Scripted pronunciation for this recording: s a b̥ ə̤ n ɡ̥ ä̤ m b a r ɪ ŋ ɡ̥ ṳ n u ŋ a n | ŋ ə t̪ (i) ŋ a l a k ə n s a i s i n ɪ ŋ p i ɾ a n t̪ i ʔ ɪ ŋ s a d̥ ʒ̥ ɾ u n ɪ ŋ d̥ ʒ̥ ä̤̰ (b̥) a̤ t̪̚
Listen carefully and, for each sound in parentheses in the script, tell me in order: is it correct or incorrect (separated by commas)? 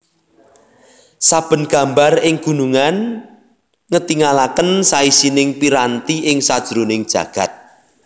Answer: correct, incorrect